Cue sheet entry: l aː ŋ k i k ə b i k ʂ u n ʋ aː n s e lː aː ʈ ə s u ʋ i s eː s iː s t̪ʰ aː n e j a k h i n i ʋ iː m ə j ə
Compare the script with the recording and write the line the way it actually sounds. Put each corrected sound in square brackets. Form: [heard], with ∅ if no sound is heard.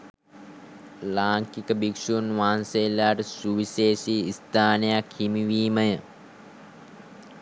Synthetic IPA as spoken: l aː ŋ k i k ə b i k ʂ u n ʋ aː n s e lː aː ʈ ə s u ʋ i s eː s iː s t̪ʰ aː n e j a k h i [m] i ʋ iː m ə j ə